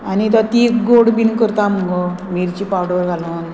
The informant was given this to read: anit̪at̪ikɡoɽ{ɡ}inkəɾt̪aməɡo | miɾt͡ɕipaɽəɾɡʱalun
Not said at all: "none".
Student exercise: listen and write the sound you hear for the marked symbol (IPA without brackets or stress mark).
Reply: b